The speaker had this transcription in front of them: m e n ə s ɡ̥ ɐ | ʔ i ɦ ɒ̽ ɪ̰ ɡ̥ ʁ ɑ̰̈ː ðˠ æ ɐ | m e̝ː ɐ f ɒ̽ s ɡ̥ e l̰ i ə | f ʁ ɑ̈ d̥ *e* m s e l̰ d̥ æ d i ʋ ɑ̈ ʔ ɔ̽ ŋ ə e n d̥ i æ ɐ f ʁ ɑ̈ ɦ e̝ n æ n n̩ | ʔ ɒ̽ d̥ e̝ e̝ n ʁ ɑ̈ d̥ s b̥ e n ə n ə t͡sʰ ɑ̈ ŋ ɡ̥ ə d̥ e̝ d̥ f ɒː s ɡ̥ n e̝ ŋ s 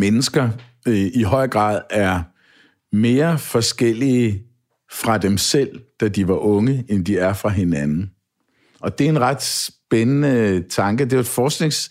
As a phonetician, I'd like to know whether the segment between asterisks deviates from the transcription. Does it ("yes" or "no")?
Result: no